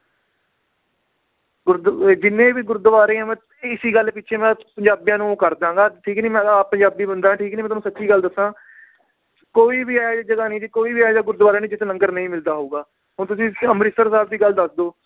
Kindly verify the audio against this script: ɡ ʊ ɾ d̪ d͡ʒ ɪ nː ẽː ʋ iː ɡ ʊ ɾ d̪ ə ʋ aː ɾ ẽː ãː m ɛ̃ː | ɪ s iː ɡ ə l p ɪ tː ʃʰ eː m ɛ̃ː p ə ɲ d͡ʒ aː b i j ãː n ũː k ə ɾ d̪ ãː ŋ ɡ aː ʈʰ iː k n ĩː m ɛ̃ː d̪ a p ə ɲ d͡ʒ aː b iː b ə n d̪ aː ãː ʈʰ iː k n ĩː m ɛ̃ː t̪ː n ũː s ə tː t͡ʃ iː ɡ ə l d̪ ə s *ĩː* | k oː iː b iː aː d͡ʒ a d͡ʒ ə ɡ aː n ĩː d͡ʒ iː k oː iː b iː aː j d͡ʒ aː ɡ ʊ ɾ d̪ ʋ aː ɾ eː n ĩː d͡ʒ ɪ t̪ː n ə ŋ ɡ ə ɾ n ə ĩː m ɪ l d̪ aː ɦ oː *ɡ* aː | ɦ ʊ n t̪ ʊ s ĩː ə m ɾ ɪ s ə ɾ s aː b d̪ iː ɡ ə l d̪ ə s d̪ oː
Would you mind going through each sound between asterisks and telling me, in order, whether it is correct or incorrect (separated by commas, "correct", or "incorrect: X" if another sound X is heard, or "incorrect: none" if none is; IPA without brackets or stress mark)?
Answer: incorrect: ãː, correct